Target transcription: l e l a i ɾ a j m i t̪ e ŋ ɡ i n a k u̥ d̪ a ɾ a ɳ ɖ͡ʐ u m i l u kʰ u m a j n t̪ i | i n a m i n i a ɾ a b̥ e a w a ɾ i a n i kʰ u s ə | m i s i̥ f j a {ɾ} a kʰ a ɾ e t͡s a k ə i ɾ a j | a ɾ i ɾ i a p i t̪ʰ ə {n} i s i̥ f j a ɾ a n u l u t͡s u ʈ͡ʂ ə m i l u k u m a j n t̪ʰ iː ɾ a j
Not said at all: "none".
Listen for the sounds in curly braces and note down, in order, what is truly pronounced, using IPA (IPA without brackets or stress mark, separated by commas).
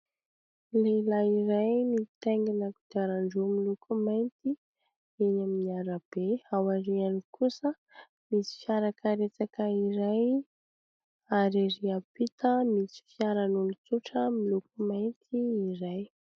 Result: ɾ, m